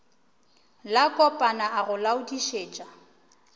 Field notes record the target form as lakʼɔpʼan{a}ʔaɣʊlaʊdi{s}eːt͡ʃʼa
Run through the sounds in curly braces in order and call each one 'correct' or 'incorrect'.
correct, incorrect: ʃ

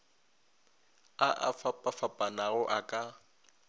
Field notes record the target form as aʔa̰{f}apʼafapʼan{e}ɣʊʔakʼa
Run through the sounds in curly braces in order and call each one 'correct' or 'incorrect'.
correct, incorrect: a

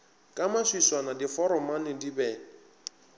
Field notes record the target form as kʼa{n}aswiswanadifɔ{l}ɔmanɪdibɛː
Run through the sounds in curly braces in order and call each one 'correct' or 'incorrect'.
incorrect: m, incorrect: ɾ

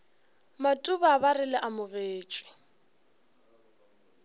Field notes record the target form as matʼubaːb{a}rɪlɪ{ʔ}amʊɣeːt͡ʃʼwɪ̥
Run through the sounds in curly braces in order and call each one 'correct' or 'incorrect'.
correct, correct

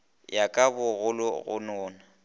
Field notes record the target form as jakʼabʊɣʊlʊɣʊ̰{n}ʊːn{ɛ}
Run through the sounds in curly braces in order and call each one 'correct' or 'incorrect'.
correct, incorrect: a

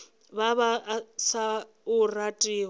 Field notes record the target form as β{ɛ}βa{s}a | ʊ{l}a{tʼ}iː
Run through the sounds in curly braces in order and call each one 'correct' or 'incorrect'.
incorrect: a, correct, incorrect: r, correct

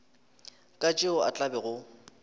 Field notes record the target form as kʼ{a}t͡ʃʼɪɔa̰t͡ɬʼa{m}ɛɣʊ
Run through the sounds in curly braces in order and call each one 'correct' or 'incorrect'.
correct, incorrect: b

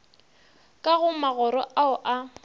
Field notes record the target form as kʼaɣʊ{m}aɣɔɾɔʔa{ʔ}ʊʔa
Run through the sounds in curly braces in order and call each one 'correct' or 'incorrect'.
correct, incorrect: none

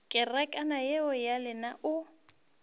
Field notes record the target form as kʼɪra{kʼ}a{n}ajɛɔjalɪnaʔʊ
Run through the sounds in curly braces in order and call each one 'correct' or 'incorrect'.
correct, correct

